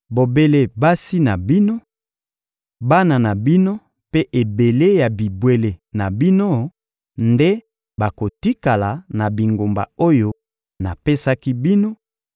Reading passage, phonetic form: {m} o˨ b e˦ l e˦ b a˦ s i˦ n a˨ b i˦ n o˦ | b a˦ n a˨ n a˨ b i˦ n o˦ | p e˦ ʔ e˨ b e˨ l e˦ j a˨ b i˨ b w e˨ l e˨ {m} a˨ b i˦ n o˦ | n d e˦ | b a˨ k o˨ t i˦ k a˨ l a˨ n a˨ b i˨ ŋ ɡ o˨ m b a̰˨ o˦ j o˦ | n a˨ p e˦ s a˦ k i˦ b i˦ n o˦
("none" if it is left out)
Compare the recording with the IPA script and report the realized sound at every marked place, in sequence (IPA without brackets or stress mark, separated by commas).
b, n